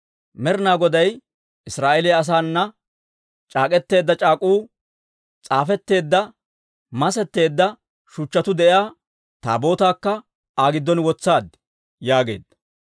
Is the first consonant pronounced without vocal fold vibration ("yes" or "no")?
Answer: no